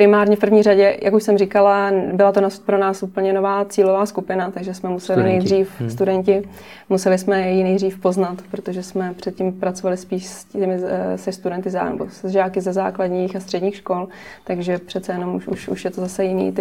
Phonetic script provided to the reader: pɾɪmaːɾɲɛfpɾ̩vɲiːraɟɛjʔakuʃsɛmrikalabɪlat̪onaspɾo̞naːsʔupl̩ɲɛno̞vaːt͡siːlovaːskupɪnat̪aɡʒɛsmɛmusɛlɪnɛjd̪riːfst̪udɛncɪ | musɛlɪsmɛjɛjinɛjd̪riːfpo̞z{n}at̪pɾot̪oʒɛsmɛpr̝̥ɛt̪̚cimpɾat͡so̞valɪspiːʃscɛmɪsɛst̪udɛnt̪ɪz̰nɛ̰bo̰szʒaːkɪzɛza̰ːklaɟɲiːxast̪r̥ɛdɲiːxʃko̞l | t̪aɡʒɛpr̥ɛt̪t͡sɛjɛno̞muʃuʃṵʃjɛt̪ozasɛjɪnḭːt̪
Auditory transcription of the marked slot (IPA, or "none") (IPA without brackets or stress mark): n